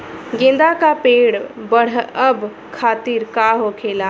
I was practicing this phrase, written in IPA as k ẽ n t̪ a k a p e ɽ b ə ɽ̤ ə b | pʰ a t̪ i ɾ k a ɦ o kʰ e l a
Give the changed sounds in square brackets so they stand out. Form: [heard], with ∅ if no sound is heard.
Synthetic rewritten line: [ɡ] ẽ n [d̪] a k a p e ɽ b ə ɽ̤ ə b | [kʰ] a t̪ i ɾ k a ɦ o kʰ e l a